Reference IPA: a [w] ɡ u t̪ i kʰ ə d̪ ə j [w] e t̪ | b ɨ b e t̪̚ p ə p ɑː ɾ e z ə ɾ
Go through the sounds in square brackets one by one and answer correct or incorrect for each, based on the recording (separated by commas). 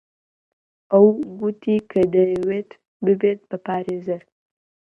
correct, correct